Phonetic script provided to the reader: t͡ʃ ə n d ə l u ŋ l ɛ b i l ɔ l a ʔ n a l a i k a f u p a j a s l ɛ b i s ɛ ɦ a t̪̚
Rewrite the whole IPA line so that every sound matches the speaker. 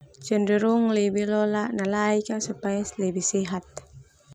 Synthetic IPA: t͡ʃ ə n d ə ɾ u ŋ l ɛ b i l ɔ l a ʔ n a l a i k a s u p a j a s l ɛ b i s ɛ ɦ a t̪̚